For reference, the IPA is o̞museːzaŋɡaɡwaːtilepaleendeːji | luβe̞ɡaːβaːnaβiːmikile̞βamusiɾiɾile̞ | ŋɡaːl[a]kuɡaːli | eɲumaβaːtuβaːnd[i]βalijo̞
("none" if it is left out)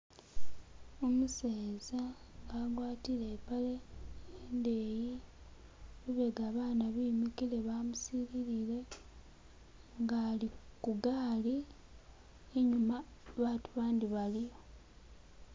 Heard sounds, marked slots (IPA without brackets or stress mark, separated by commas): i, i